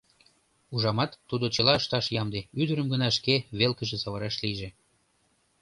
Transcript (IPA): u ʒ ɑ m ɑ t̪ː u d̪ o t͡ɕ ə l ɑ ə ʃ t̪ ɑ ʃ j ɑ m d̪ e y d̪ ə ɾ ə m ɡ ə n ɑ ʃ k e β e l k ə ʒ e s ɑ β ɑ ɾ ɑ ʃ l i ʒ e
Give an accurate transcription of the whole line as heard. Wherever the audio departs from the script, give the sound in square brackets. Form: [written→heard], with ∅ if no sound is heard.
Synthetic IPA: u ʒ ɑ m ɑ t̪ː u d̪ o t͡ɕ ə l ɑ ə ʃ t̪ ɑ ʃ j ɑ m d̪ e y d̪ ə ɾ ə m ɡ ə n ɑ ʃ k e β e l k ə ʒ e s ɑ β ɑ ɾ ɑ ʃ l i ʒ e